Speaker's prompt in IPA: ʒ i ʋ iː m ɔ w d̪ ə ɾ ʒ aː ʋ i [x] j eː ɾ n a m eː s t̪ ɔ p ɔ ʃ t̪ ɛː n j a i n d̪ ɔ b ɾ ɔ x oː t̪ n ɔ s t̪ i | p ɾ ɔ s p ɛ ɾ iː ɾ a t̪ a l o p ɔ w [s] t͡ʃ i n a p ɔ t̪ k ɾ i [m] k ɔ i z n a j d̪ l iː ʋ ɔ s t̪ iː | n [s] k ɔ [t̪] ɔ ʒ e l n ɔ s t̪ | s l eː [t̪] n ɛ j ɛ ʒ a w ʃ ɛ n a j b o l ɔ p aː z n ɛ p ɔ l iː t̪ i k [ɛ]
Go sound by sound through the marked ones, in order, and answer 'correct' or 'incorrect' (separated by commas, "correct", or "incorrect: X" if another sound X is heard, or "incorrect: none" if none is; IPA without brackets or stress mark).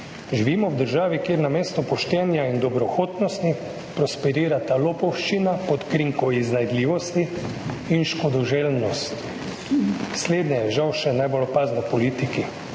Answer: incorrect: k, incorrect: ʃ, incorrect: ŋ, incorrect: ʃ, incorrect: d̪, incorrect: d̪, incorrect: i